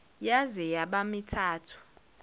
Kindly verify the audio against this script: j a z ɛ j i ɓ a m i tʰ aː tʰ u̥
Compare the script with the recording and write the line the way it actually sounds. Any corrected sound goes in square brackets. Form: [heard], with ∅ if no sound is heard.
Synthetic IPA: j a z ɛ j [a] ɓ a m i tʰ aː tʰ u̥